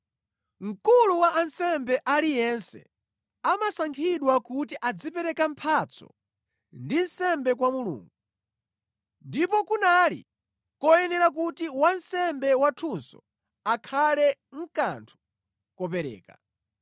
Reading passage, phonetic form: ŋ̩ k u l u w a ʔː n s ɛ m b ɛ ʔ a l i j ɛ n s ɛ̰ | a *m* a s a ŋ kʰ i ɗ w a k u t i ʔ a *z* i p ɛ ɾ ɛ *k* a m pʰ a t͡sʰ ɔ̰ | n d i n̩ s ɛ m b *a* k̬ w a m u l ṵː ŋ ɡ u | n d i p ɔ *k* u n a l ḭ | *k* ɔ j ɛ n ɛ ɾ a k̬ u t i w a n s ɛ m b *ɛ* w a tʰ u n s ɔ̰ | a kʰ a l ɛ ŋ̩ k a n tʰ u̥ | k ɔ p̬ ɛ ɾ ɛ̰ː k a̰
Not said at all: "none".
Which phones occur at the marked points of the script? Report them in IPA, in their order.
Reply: m, d͡z, k, ɛ, k, k, ɛ

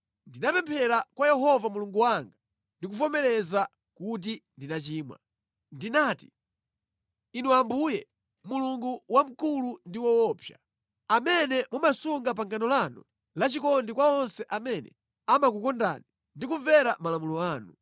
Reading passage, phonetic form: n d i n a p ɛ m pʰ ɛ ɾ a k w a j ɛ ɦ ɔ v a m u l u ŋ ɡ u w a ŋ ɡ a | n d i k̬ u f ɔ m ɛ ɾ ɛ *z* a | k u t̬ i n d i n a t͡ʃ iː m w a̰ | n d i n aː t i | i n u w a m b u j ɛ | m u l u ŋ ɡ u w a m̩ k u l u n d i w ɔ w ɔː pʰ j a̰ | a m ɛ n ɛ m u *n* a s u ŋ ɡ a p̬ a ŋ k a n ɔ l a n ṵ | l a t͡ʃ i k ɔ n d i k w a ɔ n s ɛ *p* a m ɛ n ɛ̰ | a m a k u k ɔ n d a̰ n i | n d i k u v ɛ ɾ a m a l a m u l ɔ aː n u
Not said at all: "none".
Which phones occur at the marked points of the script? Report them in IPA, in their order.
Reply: z, m, ʔ

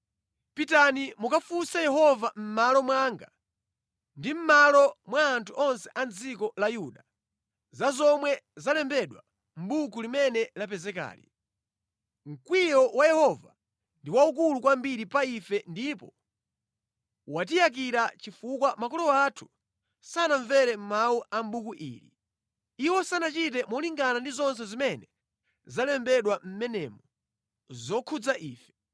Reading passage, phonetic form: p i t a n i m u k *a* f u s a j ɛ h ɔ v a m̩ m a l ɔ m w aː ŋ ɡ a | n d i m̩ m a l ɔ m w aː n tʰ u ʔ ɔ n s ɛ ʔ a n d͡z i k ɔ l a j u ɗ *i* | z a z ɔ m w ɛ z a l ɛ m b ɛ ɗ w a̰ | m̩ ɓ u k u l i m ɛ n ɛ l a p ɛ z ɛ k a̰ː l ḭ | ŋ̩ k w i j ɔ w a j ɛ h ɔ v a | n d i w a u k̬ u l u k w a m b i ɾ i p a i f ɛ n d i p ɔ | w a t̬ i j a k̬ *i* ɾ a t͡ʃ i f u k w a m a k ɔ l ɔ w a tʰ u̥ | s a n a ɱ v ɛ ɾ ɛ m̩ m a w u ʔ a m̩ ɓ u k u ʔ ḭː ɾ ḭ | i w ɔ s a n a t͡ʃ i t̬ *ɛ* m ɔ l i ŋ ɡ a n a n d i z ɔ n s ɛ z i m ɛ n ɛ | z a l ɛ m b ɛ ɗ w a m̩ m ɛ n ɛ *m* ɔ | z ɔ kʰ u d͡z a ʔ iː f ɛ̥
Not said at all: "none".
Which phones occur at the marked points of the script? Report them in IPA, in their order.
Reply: a, a, i, ɛ, m

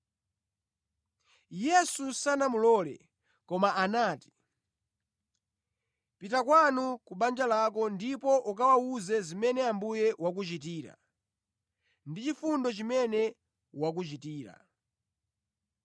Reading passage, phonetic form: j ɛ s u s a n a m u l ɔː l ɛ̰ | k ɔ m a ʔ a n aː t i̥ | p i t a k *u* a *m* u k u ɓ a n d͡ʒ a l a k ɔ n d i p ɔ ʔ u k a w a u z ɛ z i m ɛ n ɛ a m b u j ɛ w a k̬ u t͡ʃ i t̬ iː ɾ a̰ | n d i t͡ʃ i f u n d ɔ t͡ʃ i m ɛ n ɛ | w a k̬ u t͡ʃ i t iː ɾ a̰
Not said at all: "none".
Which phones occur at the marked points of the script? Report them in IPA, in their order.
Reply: w, n

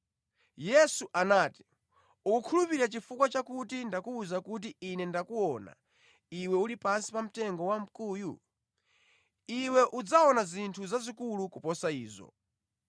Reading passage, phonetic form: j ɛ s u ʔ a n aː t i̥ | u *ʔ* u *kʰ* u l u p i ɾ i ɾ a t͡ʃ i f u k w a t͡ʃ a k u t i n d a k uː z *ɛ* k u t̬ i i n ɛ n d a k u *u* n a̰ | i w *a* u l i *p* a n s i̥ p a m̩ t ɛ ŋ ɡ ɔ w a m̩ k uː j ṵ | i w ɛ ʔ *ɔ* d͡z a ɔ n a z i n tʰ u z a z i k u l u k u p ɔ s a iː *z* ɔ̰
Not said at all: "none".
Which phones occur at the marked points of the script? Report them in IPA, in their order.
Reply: k, kʰ, a, ɔ, ɛ, p, u, z

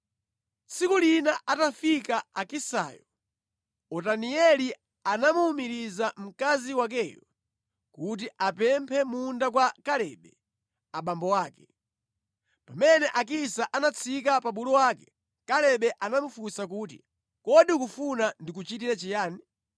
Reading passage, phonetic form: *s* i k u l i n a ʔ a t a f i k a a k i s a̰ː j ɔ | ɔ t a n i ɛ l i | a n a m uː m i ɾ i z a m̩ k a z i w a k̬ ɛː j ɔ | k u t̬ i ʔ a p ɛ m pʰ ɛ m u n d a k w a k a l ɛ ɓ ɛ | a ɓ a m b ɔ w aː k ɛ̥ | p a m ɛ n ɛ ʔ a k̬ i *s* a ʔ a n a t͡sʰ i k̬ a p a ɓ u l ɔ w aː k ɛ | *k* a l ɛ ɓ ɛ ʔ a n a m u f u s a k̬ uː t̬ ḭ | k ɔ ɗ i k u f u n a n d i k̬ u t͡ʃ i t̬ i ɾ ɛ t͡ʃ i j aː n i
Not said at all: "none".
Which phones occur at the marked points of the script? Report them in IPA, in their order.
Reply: s, s, k

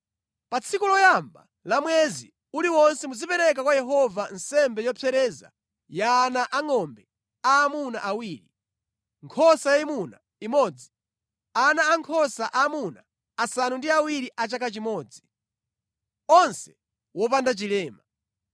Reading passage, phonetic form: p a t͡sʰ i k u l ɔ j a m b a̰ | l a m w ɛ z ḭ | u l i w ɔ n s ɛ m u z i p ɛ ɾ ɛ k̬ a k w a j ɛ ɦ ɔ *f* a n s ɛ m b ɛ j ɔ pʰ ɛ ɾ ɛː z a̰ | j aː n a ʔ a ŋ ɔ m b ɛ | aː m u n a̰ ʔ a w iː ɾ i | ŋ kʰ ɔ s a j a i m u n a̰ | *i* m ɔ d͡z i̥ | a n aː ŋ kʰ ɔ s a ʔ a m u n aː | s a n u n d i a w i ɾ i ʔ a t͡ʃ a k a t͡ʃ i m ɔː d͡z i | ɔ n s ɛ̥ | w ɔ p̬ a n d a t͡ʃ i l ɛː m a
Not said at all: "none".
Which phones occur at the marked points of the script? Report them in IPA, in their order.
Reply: v, i

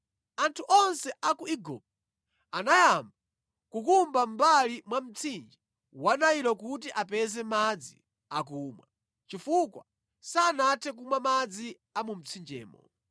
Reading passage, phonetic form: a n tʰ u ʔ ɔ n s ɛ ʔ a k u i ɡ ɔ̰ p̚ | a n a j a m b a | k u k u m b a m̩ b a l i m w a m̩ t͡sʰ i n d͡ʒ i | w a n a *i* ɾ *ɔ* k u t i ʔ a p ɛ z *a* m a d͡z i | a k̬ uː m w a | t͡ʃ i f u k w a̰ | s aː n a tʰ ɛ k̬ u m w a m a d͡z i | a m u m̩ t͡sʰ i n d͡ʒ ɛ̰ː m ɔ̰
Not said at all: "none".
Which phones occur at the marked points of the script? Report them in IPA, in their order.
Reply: i, ɔ, ɛ

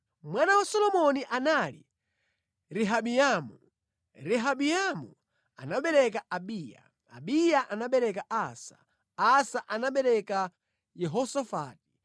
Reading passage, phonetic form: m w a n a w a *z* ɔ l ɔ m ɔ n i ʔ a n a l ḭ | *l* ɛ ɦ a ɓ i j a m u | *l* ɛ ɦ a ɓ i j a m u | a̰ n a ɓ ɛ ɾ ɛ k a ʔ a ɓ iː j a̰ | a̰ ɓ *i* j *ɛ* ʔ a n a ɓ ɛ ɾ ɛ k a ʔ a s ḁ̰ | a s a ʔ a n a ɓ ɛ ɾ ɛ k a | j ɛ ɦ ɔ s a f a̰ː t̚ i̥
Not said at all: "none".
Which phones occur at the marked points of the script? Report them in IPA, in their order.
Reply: s, ɾ, ɾ, i, a

